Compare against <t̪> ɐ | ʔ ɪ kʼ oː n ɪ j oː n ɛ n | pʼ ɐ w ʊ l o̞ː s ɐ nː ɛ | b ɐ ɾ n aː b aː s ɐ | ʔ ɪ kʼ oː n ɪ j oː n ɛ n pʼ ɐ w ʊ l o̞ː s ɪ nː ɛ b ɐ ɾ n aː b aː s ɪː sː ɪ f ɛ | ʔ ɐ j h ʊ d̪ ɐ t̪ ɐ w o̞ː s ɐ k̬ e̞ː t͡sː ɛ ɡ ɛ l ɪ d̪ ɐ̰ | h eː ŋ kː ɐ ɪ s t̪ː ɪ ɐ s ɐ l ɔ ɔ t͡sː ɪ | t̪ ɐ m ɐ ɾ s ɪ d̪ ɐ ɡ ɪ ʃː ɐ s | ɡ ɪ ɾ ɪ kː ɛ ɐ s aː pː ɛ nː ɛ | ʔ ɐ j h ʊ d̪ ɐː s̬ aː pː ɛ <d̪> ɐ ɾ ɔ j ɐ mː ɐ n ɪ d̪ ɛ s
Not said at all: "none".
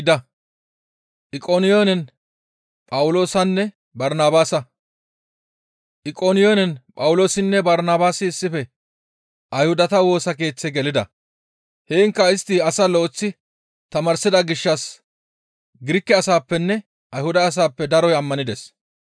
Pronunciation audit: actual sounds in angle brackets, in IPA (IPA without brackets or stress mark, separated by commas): d̪, d̪